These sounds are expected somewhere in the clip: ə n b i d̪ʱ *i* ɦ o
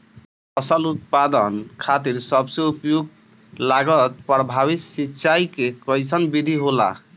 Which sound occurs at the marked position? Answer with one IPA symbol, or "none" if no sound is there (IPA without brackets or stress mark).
i